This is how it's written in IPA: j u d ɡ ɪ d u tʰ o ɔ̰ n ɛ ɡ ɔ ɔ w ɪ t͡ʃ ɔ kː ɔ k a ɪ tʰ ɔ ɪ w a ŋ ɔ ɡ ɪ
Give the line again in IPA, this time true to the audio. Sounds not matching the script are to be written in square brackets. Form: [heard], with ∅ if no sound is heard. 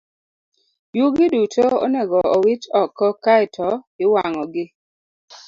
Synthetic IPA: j u [∅] ɡ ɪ d u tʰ o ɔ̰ n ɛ ɡ ɔ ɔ w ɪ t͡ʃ ɔ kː ɔ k a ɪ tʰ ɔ ɪ w a ŋ ɔ ɡ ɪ